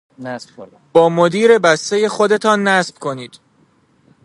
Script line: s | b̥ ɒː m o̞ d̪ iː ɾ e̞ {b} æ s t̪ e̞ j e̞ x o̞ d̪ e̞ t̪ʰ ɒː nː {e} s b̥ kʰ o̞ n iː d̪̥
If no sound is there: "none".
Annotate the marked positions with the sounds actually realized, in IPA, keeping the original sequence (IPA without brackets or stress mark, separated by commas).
b, æ